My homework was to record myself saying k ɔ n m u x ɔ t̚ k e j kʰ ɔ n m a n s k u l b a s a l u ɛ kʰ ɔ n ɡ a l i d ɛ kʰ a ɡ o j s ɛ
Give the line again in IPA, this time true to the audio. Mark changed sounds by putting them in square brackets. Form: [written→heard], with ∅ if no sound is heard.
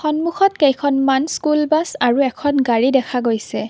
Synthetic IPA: [k→x] ɔ n m u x ɔ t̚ k e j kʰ ɔ n m a n s k u l b a s a [l→ɹ] u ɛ kʰ ɔ n ɡ a [l→ɹ] i d ɛ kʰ a ɡ o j s ɛ